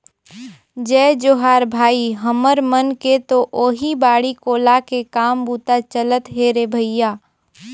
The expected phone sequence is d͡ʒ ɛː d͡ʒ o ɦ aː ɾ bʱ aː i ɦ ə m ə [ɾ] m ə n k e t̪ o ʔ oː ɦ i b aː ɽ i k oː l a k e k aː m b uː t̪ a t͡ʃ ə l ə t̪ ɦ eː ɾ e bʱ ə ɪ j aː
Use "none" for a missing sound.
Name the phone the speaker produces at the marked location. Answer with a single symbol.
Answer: ɾ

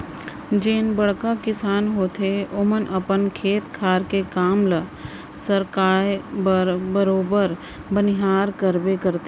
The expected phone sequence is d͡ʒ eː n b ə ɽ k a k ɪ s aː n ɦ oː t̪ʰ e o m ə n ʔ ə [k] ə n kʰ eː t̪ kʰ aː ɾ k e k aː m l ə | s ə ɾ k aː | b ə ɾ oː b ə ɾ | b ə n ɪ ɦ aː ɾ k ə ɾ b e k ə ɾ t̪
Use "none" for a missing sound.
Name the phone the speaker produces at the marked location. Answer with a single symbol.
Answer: p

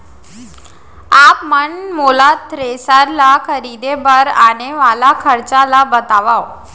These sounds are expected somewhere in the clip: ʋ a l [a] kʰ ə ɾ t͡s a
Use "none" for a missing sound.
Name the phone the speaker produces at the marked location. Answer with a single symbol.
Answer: a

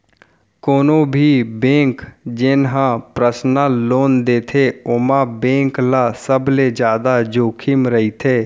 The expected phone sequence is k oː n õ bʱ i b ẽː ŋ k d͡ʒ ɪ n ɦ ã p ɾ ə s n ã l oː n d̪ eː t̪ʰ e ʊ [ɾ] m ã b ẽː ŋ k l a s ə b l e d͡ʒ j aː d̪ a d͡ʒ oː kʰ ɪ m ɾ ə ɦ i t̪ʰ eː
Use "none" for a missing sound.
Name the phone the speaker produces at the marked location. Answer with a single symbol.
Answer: none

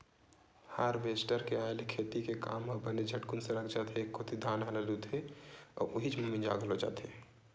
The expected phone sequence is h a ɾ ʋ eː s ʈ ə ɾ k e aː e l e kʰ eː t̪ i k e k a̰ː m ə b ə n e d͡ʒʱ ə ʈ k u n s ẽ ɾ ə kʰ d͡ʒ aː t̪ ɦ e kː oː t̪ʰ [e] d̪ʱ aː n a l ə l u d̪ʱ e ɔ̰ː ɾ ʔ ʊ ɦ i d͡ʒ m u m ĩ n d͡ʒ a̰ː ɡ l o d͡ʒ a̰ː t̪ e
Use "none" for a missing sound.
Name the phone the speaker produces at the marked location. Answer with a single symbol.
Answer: i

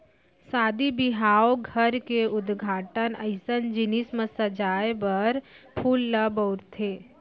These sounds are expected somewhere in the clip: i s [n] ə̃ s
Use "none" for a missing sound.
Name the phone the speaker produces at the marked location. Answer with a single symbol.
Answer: m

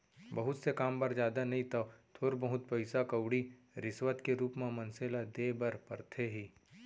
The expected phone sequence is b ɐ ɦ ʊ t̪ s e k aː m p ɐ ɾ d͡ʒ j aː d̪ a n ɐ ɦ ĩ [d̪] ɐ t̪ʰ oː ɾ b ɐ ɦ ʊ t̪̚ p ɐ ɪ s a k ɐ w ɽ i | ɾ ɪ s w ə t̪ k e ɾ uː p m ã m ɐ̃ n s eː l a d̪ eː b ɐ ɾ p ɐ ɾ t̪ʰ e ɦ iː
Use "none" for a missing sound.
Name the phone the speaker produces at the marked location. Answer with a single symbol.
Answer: t̪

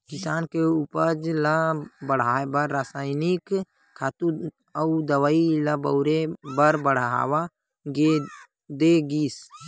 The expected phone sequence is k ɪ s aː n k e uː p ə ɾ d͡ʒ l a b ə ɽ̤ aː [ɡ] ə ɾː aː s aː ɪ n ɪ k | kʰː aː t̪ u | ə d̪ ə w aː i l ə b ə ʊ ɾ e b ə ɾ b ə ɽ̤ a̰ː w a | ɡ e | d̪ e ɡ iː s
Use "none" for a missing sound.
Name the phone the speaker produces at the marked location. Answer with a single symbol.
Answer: b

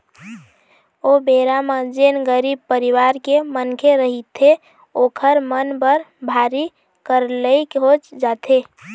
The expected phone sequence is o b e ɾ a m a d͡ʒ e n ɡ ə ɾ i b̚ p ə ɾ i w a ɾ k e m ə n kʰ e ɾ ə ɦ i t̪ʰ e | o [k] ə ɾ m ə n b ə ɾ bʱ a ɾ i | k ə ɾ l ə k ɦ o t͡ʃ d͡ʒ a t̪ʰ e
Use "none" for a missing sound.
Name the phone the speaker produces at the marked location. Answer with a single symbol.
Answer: kʰ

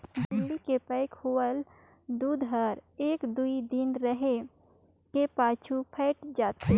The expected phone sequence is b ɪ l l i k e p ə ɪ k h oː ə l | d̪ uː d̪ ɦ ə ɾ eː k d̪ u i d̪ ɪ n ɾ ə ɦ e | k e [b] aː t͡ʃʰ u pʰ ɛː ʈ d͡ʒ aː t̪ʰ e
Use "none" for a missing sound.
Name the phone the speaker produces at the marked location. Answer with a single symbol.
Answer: p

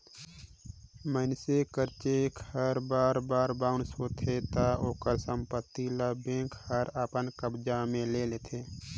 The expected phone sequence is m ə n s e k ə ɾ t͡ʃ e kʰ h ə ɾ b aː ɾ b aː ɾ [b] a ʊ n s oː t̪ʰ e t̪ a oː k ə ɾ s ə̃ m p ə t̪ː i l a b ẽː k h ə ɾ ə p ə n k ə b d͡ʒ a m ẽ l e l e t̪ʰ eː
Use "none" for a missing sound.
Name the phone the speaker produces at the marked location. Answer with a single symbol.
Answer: b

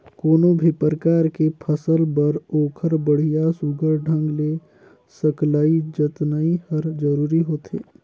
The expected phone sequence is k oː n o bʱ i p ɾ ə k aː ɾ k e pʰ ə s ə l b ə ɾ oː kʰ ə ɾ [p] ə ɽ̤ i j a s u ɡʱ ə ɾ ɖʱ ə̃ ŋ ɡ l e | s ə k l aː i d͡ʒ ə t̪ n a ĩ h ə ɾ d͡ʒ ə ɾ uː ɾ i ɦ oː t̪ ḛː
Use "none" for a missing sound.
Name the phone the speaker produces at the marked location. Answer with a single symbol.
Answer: b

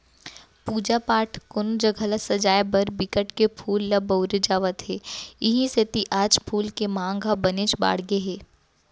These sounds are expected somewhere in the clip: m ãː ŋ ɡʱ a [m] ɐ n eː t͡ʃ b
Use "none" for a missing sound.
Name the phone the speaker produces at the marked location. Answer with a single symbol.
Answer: b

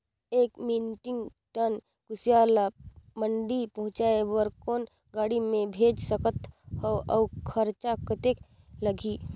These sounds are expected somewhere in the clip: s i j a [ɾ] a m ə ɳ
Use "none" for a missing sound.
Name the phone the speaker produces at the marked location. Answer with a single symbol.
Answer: l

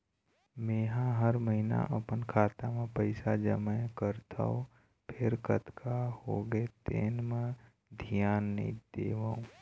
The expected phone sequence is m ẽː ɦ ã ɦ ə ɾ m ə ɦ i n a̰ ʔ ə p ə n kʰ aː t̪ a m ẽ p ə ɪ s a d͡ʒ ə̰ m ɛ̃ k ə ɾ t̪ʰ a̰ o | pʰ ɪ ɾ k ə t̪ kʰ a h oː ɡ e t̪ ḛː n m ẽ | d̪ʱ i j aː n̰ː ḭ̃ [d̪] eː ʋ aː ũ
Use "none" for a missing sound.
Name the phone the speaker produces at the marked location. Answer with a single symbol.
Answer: d̪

